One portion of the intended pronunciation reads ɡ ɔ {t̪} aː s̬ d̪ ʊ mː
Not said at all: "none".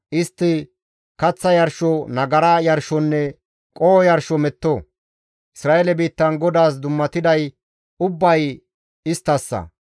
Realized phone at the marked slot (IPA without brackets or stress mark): d̪